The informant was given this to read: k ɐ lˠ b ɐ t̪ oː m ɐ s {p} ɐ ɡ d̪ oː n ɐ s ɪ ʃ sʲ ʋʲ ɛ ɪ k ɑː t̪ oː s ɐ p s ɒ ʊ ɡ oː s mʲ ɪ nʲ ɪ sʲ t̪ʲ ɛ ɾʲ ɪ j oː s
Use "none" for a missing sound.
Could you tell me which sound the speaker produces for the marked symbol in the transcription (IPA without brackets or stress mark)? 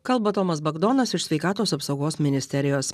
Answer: b